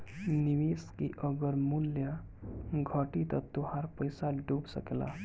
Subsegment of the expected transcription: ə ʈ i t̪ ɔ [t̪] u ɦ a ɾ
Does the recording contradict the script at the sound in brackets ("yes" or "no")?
no